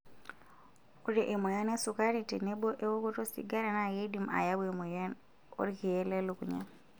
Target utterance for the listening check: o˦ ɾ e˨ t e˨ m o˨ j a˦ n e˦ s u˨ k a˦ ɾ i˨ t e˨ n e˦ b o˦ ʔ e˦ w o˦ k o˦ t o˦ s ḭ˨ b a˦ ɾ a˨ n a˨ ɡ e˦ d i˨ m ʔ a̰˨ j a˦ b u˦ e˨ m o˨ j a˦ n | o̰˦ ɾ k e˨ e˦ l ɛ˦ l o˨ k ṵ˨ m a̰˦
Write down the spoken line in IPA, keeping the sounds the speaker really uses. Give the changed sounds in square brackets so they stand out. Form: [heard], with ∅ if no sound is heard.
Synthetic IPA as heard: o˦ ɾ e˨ [ʔ] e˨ m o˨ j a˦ n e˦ s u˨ k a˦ ɾ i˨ t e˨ n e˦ b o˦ ʔ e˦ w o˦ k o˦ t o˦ s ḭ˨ [ɡ] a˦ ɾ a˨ n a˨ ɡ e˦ d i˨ m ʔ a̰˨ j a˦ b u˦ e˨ m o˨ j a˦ n | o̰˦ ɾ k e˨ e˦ l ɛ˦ l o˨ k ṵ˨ [ɲ] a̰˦

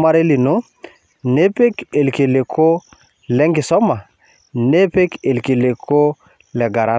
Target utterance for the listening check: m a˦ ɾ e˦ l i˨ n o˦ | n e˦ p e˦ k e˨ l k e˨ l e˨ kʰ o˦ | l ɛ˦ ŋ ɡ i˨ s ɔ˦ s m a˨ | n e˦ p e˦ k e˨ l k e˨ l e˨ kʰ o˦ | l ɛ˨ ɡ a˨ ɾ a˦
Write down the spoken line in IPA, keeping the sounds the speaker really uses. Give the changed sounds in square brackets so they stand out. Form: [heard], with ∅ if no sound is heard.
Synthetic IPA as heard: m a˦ ɾ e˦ l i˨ n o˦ | n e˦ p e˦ k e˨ l k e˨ l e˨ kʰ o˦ | l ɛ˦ ŋ ɡ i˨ s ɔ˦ [∅] m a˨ | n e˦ p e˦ k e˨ l k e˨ l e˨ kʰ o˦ | l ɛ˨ ɡ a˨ ɾ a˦

